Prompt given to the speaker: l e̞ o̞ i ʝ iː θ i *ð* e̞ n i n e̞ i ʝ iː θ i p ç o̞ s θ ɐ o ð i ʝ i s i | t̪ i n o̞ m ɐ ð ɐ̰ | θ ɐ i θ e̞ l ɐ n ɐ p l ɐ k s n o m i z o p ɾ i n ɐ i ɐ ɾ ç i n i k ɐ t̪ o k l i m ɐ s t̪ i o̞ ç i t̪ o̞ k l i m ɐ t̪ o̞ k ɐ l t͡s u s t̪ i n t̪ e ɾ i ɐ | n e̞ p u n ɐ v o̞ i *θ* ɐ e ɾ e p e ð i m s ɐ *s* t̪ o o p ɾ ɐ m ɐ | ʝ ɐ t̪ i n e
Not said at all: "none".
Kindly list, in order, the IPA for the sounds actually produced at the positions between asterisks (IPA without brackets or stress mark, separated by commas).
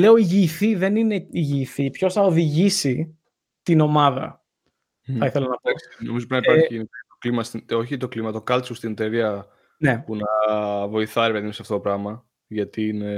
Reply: ð, θ, f